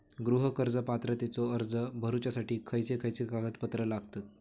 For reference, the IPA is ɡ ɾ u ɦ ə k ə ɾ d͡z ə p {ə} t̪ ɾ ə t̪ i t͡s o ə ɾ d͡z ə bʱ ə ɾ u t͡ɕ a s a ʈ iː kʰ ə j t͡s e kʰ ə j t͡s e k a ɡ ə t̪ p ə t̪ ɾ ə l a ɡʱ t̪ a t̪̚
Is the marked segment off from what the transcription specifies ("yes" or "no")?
yes